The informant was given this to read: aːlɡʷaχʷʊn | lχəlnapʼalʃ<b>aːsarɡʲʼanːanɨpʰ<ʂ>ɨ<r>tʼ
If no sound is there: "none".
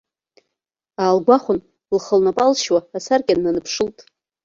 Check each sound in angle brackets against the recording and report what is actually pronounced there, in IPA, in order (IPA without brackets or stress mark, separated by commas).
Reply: w, ʂ, l